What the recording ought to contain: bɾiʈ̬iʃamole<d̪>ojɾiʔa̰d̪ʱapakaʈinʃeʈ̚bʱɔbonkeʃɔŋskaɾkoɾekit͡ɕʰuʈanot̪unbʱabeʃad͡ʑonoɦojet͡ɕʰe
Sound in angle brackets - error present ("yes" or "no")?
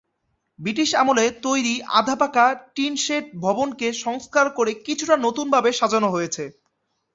yes